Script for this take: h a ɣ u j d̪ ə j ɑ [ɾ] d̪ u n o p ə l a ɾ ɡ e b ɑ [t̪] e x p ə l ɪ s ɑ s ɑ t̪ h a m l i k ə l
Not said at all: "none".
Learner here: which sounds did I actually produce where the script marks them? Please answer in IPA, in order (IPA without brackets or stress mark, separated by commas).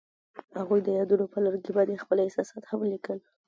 none, d̪